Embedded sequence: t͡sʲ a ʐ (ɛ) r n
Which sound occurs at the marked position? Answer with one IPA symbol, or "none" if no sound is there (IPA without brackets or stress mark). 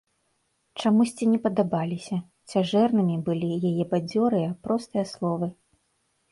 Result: ɛ